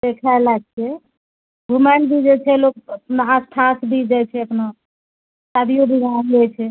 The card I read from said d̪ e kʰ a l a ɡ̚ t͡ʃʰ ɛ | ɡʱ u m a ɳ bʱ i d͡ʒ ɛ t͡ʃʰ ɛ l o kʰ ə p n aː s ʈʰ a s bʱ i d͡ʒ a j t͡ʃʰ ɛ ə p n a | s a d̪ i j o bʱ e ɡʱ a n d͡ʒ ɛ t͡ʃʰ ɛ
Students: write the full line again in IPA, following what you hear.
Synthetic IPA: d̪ e kʰ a l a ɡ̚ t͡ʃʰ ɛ | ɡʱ u m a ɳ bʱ i d͡ʒ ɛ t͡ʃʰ ɛ l o k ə p n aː s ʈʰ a s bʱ i d͡ʒ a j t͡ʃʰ ɛ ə p n a | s a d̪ i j o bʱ i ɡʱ a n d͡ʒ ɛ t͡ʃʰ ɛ